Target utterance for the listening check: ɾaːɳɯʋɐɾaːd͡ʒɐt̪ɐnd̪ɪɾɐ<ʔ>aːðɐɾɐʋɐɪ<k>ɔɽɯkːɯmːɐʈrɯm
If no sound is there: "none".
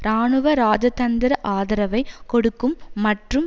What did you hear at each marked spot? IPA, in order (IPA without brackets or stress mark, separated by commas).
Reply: ʔ, k